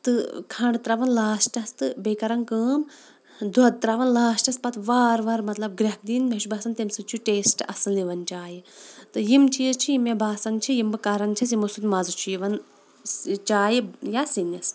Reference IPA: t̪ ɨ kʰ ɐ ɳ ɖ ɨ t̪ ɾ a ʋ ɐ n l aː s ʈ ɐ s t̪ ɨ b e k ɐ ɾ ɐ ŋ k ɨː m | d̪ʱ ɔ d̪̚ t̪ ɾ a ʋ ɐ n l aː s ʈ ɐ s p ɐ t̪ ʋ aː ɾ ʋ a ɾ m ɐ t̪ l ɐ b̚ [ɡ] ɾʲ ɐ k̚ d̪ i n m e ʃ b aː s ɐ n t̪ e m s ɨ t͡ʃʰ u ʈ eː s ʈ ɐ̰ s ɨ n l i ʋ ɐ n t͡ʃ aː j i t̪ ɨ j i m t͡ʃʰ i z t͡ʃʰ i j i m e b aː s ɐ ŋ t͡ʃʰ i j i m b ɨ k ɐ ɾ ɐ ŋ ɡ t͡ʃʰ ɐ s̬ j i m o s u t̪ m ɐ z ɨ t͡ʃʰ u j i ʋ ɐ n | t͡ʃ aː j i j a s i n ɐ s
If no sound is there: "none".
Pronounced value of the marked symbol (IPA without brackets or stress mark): ɡ